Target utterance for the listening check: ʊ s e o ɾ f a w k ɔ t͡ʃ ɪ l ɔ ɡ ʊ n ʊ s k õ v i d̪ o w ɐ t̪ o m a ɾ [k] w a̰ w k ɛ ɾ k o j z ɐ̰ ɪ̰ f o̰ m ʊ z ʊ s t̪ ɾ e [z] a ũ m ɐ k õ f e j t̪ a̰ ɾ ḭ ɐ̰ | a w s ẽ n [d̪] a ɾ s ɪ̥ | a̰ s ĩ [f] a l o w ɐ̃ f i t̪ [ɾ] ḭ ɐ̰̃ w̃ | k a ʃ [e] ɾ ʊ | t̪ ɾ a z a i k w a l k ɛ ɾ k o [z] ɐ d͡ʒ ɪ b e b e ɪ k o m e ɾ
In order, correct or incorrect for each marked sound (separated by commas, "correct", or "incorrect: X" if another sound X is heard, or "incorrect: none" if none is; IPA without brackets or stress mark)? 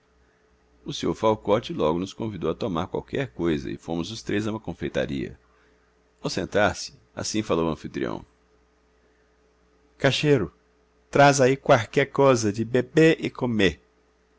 correct, correct, incorrect: t̪, correct, correct, correct, correct